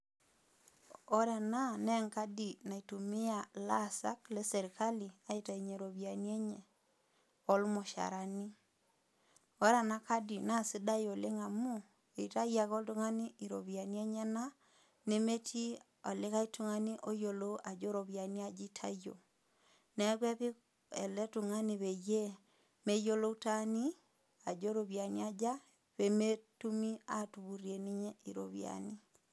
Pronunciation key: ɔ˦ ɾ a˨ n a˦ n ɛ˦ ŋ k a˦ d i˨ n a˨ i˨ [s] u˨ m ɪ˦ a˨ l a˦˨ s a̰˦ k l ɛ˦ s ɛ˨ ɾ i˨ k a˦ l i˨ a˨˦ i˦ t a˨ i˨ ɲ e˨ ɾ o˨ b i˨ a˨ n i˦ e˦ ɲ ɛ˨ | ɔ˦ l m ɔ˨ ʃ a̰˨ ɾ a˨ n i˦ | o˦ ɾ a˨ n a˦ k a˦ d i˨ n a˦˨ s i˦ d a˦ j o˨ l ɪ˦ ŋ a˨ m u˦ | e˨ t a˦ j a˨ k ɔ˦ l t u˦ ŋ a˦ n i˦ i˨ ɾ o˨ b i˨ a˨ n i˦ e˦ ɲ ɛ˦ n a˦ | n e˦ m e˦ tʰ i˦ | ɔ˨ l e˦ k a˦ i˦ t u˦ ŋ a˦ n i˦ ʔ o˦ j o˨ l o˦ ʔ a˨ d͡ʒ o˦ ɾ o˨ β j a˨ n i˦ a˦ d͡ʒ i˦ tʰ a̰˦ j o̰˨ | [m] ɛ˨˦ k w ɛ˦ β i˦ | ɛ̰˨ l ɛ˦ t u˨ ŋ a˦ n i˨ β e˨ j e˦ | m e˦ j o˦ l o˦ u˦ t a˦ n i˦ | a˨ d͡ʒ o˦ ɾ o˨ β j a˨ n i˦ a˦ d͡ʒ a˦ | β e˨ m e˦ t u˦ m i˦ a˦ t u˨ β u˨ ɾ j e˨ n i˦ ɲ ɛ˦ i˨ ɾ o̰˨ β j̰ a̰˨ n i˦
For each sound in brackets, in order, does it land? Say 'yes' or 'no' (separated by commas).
no, no